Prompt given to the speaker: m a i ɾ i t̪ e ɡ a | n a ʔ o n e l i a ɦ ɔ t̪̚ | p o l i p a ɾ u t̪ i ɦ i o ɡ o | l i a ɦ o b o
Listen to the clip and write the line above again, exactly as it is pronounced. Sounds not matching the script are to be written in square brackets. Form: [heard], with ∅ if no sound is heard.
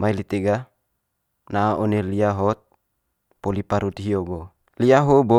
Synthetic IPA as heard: m a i [l] i t̪ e ɡ a | n a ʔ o n e l i a ɦ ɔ t̪̚ | p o l i p a ɾ u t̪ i ɦ i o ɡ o | l i a ɦ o b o